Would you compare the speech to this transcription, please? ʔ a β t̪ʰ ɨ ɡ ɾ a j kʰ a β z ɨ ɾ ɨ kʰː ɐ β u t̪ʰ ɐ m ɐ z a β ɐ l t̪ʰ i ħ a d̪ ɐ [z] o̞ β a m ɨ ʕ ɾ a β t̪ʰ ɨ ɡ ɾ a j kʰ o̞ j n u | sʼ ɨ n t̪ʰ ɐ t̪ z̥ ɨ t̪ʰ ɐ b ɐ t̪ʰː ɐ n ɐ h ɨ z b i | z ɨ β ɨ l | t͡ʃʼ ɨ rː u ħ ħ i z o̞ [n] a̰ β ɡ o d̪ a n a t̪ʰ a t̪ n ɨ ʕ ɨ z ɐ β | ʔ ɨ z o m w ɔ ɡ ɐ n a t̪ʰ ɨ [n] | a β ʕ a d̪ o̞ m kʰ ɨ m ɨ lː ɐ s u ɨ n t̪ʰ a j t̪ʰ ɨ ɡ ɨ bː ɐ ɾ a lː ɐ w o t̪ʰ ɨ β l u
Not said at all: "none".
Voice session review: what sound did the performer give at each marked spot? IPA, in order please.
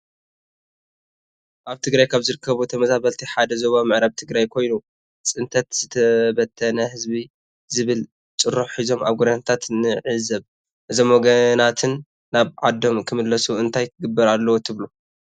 z, m, nː

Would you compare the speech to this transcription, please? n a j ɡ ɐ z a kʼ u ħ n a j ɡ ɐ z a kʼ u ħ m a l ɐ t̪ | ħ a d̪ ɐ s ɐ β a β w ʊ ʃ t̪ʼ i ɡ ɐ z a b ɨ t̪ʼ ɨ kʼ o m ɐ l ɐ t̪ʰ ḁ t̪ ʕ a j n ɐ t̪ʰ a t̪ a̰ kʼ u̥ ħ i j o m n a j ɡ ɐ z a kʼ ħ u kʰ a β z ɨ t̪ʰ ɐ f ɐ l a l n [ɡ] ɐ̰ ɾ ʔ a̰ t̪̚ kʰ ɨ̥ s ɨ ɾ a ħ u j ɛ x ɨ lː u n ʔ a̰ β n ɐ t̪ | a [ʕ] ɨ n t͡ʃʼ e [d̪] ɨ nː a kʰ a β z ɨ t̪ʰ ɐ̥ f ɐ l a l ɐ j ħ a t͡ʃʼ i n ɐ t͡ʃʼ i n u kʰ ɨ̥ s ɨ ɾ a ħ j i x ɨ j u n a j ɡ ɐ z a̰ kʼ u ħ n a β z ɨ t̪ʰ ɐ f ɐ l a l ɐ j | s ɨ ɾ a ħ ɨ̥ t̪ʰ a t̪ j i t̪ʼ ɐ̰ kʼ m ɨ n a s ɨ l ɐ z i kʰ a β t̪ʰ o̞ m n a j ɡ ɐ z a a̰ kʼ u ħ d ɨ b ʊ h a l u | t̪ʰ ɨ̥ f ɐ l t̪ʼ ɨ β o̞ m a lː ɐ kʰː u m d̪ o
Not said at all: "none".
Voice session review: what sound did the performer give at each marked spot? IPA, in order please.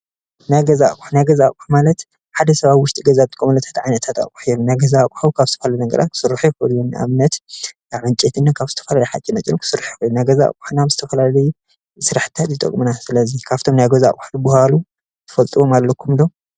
ɡ, ʕ, t̪

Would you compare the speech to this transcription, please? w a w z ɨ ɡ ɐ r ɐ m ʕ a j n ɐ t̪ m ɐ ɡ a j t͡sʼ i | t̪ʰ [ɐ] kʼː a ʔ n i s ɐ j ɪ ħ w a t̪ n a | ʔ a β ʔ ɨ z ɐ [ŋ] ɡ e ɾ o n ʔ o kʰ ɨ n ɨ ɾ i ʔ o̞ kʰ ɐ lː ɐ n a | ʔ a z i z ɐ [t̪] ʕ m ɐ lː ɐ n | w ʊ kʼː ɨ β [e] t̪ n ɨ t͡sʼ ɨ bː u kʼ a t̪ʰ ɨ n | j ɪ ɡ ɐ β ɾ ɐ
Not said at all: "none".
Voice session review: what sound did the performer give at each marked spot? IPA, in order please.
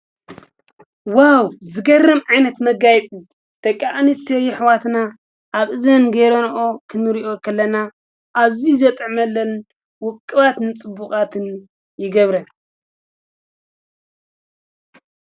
ɐ, n, t̪ʼ, a

